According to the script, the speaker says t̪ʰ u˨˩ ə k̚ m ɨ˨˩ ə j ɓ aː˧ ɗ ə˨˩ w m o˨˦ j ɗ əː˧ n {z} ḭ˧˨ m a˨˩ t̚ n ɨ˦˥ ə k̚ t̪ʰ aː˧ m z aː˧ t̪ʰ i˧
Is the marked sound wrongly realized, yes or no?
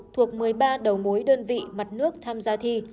yes